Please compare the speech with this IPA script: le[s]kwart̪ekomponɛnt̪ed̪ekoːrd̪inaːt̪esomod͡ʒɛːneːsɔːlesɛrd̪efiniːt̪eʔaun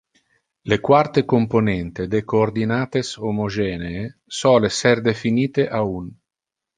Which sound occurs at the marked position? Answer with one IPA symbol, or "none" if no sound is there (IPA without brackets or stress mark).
none